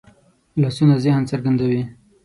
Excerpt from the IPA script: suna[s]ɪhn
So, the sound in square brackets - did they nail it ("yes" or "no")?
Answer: no